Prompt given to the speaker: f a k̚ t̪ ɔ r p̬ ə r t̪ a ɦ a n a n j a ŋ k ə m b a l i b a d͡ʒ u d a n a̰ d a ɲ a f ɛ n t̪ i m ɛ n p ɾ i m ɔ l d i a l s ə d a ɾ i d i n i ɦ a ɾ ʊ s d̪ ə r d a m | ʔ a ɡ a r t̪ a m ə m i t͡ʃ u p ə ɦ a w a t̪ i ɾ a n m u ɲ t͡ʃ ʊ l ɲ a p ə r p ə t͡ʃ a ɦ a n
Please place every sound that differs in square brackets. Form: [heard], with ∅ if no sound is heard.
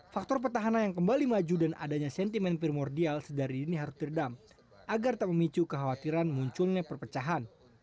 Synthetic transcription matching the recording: f a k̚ t̪ ɔ r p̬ ə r t̪ a ɦ a n a n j a ŋ k ə m b a l i [m] a d͡ʒ u d a n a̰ d a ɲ a [s] ɛ n t̪ i m ɛ n p ɾ i m ɔ [r] d i a l s ə d a ɾ i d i n i ɦ a ɾ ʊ s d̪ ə r d a m | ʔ a ɡ a r t̪ a m ə m i t͡ʃ u [k] ə ɦ a w a t̪ i ɾ a n m u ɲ t͡ʃ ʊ l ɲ a p ə r p ə t͡ʃ a ɦ a n